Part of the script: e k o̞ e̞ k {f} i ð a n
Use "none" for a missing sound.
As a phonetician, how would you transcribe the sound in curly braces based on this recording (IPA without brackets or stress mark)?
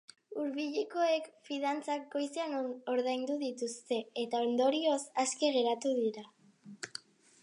f